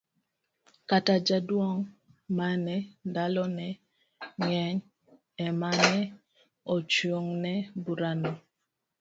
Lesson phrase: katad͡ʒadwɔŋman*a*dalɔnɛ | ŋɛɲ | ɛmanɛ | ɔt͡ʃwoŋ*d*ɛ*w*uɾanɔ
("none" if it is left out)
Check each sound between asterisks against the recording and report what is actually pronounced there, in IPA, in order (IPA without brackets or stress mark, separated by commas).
ɛ, n, b